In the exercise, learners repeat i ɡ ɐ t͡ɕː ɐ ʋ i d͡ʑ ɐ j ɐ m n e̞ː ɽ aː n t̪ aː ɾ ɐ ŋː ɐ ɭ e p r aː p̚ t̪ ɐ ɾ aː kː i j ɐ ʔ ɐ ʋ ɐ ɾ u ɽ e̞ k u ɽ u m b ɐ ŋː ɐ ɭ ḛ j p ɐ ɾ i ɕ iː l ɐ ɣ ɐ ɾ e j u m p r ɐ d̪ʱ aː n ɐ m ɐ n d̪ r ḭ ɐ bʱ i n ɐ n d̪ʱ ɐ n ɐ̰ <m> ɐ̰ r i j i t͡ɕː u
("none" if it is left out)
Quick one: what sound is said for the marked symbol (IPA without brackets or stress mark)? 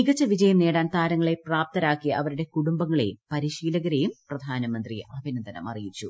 m